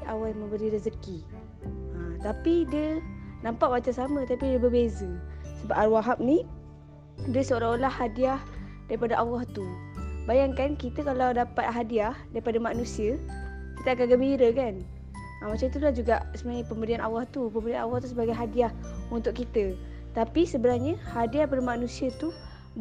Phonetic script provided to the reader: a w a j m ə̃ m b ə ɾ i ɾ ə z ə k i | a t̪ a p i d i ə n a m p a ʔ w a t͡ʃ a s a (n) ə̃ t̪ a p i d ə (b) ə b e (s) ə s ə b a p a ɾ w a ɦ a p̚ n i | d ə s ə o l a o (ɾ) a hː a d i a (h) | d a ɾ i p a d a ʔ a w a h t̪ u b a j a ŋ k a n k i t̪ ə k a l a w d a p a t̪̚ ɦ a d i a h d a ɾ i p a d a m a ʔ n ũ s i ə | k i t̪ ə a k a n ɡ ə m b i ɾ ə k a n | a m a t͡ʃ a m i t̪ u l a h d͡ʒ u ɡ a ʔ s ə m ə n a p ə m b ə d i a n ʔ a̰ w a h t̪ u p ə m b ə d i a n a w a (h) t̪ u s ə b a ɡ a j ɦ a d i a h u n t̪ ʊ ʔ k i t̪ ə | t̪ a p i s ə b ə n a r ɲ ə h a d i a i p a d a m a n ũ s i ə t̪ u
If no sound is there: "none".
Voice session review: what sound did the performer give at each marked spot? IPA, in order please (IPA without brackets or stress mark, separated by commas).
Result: m, b, z, l, h, h